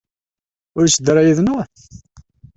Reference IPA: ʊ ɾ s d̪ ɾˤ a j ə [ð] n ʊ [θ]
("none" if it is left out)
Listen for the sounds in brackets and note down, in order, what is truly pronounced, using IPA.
ð, θ

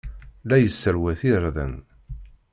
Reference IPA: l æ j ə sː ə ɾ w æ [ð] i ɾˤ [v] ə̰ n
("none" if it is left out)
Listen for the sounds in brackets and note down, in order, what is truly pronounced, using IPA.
θ, ð

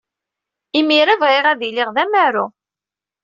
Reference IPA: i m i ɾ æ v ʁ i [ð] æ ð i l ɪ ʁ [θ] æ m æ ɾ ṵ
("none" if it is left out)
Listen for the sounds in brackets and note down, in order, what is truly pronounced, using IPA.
ʁ, ð

